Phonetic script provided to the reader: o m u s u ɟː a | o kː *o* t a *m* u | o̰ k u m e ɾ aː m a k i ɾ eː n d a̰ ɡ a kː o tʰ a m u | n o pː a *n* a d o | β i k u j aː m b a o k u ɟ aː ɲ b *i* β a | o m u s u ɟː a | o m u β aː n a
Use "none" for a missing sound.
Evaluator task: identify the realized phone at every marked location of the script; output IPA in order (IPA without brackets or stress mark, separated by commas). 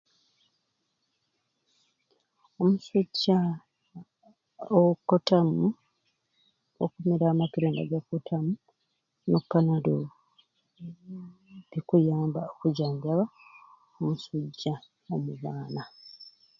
o, m, n, a